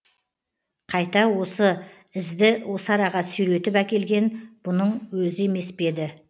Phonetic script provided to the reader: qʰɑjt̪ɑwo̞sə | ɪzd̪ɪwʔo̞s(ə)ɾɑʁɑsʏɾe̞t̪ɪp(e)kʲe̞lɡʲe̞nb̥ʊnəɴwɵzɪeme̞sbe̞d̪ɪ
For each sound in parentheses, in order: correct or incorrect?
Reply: incorrect: ɑ, incorrect: æ

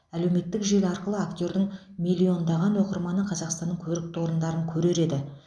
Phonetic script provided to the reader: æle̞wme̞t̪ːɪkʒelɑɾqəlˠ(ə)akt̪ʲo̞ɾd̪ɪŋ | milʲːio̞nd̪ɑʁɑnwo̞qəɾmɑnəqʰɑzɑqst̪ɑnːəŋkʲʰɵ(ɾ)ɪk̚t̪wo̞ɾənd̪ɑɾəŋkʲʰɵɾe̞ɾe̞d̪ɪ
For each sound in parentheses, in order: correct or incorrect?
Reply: correct, correct

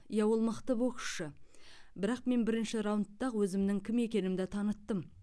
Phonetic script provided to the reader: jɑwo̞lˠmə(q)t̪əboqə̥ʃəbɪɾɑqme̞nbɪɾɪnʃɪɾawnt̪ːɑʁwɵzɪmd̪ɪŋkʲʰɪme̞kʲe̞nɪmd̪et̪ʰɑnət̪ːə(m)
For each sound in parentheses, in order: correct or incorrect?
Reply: correct, correct

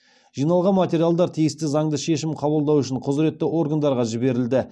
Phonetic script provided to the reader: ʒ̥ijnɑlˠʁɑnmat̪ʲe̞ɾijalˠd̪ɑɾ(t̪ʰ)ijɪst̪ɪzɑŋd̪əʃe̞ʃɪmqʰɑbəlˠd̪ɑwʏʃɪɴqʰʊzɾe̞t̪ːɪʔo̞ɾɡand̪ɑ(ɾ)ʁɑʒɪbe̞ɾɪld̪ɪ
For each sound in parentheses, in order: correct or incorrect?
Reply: correct, correct

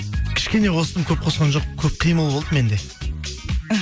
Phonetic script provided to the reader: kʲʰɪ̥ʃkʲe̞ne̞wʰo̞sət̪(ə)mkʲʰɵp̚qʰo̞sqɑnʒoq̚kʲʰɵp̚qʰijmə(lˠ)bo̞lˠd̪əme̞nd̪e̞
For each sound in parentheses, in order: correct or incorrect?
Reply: correct, correct

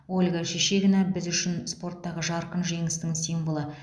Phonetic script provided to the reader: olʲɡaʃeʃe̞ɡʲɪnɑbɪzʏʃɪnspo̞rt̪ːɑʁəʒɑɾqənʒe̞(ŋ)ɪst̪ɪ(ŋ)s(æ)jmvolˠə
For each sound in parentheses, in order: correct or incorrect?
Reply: correct, correct, incorrect: i

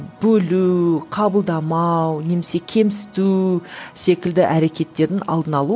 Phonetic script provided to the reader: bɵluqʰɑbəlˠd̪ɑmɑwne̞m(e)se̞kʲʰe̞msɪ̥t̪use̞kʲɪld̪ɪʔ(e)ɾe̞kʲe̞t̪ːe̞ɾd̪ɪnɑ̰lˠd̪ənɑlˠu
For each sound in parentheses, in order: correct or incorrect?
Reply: correct, incorrect: æ

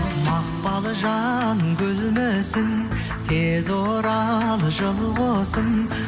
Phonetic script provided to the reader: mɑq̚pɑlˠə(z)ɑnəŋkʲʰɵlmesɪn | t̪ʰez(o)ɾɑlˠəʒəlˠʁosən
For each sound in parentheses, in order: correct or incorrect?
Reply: incorrect: ʒ, correct

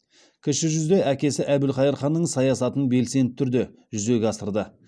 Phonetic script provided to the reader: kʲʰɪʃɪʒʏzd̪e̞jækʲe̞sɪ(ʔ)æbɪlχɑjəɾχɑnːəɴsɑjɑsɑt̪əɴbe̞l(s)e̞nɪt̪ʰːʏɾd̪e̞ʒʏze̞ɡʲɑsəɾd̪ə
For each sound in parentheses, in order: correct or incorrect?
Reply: correct, correct

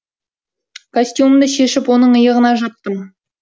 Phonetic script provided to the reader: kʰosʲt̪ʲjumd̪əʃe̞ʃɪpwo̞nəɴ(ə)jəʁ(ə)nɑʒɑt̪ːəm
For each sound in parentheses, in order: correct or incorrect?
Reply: correct, correct

